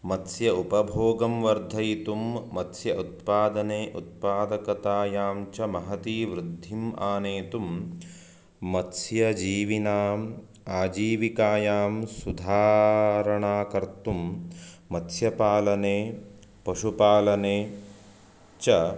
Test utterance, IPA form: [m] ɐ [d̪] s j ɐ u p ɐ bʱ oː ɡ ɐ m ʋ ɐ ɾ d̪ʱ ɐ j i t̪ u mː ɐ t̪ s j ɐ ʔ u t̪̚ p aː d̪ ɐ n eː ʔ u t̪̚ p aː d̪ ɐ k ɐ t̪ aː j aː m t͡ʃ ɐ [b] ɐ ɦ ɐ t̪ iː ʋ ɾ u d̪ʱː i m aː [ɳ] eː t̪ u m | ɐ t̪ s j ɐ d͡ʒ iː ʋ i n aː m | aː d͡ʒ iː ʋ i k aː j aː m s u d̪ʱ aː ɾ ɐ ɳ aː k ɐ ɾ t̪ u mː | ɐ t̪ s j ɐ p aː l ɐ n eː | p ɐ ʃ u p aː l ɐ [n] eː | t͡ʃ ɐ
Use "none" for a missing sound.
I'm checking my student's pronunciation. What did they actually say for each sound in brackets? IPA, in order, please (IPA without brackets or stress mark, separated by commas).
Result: m, t̪, m, n, n